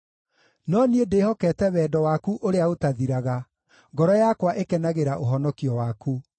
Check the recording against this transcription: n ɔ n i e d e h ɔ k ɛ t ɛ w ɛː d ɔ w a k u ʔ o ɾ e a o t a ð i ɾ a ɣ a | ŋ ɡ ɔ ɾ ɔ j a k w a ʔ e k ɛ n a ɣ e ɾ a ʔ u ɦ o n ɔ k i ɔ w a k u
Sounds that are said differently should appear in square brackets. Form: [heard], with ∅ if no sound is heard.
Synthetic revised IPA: n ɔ n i e d e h ɔ k ɛ t ɛ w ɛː d ɔ w a k u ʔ o ɾ e a o t a ð i ɾ a ɣ a | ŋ ɡ ɔ ɾ ɔ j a k w a ʔ e k ɛ n a ɣ e ɾ a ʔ [o] ɦ [ɔ] n ɔ k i ɔ w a k u